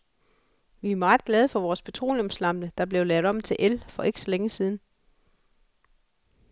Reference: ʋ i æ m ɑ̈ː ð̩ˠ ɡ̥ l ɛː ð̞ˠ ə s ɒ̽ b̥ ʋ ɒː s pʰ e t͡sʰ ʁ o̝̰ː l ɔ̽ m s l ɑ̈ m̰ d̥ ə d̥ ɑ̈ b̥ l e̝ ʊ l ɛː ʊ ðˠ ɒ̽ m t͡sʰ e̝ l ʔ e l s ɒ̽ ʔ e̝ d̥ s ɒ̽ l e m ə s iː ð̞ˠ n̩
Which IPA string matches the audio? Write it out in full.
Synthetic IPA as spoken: ʋ i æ m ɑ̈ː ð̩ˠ ɡ̥ l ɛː ð̞ˠ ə f ɒ̽ ʋ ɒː s pʰ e t͡sʰ ʁ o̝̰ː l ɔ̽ m s l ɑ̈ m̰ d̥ ə d̥ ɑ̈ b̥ l e̝ ʊ l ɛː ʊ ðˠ ɒ̽ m t͡sʰ e̝ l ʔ e l f ɒ̽ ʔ e̝ ɡ̥ s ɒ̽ l e ŋ ə s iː ð̞ˠ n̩